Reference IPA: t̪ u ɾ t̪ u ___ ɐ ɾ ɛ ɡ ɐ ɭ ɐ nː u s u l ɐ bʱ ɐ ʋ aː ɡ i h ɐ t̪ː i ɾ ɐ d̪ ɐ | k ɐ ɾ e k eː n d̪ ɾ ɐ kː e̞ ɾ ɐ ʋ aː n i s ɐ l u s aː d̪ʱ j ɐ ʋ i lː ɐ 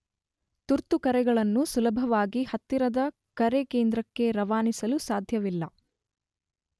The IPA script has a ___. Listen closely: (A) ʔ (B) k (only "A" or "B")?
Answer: B